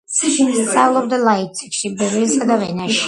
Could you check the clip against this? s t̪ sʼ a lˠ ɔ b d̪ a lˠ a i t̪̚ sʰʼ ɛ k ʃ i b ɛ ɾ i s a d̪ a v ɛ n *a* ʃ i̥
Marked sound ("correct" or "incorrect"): correct